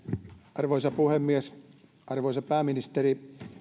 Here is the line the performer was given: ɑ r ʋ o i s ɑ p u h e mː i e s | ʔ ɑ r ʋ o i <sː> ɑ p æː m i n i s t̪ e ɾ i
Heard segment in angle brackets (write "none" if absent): s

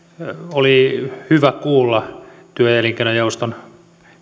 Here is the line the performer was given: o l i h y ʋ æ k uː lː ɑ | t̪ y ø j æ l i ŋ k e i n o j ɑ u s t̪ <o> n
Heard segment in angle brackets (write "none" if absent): o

